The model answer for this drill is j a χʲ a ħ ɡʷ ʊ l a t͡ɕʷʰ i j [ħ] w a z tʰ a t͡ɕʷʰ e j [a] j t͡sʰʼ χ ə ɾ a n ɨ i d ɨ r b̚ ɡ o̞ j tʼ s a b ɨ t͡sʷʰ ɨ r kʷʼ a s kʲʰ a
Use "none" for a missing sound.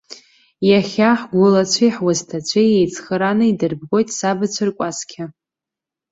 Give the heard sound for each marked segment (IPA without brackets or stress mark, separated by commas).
ħ, e